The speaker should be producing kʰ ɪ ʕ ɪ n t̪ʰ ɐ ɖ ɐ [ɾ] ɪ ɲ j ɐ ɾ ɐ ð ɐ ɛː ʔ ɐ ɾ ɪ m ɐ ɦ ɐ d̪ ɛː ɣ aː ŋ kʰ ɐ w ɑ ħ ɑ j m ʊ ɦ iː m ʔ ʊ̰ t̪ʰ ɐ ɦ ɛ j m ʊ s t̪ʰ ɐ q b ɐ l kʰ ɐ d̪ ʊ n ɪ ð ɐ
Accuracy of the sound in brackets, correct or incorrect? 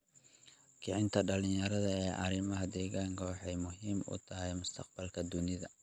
incorrect: l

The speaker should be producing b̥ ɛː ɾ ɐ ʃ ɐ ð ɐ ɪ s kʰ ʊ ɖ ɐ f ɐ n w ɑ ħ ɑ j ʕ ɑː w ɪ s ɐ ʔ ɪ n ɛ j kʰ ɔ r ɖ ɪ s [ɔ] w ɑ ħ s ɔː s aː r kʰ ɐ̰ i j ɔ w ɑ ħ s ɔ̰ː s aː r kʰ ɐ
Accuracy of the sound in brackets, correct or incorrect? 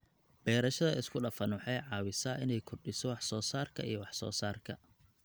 correct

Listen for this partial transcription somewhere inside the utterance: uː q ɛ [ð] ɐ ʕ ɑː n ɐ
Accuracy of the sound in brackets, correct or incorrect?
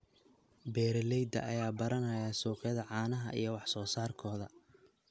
correct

